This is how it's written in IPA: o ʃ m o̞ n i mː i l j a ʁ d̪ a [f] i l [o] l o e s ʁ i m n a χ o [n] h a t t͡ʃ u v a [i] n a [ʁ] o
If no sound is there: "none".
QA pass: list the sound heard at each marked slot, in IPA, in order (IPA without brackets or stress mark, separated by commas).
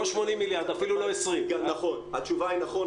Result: f, u, n, i, χ